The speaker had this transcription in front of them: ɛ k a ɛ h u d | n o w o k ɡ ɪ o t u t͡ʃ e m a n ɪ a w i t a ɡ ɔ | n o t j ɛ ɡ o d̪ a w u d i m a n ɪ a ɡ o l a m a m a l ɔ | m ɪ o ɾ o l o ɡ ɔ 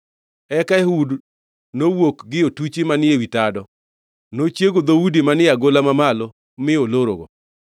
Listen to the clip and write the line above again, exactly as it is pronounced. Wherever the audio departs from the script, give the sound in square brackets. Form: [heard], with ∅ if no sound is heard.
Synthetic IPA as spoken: ɛ k a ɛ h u d | n o w o k ɡ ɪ o t u t͡ʃ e m a n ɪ [e] w i t a [d] ɔ | n o [t͡ʃ] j [e] ɡ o d̪ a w u d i m a n ɪ a ɡ o l a m a m a l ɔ | m ɪ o [l] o [ɾ] o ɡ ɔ